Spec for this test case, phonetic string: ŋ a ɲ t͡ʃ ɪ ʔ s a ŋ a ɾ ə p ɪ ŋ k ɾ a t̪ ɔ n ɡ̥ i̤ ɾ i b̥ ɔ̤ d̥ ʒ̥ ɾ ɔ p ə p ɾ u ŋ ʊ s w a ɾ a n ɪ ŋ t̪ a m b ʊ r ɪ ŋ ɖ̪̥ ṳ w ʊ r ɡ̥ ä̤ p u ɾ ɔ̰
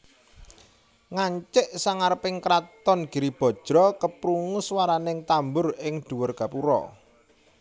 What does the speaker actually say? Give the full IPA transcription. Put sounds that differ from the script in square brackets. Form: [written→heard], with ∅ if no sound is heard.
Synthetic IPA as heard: ŋ a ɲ t͡ʃ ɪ ʔ s a ŋ a ɾ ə p ɪ ŋ k ɾ a t̪ ɔ n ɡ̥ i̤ ɾ i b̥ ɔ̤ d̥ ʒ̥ ɾ ɔ [p→k] ə p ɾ u ŋ ʊ s w a ɾ a n ɪ ŋ t̪ a m b ʊ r ɪ ŋ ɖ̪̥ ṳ w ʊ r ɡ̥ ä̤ p u ɾ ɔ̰